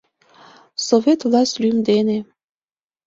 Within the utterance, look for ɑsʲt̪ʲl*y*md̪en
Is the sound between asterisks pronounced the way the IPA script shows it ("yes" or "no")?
yes